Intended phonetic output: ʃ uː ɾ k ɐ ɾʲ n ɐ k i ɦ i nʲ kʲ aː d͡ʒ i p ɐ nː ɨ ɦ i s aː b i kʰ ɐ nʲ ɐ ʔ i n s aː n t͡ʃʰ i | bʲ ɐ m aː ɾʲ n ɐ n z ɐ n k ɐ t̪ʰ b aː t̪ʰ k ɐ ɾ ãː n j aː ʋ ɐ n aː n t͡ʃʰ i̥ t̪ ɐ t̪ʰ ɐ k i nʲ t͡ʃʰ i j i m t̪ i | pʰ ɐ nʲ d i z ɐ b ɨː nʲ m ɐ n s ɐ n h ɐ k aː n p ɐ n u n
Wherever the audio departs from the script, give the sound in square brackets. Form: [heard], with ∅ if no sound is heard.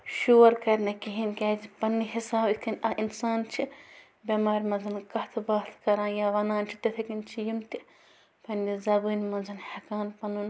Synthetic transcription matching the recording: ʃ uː ɾ k ɐ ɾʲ n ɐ k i ɦ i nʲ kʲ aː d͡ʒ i p ɐ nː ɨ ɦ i s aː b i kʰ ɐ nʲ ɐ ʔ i n s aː n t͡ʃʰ i | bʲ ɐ m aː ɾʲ [m] ɐ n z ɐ n k ɐ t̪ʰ b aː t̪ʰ k ɐ ɾ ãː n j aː ʋ ɐ n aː n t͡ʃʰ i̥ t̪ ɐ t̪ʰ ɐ k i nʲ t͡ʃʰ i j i m t̪ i | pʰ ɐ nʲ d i z ɐ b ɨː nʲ m ɐ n [z] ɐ n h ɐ k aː n p ɐ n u n